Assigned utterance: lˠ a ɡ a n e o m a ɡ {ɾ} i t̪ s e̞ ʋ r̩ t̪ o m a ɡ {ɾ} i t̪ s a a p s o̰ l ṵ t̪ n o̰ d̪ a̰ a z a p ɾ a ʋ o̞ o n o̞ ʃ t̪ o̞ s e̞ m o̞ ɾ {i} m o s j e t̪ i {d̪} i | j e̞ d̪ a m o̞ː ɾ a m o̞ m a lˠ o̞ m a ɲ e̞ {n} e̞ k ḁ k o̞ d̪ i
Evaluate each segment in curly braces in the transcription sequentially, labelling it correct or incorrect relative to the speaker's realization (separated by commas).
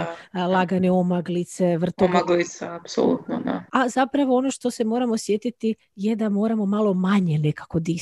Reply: incorrect, incorrect, incorrect, incorrect, correct